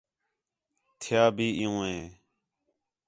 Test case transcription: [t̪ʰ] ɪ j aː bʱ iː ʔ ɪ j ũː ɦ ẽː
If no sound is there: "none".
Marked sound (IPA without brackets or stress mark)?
t̪ʰ